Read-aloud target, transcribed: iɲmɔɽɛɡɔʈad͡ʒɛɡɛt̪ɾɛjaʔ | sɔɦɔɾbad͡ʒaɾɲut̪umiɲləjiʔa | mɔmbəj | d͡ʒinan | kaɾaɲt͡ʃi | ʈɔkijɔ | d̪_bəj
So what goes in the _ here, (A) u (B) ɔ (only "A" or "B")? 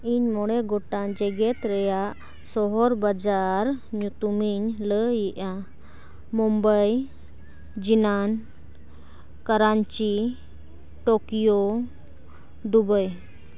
A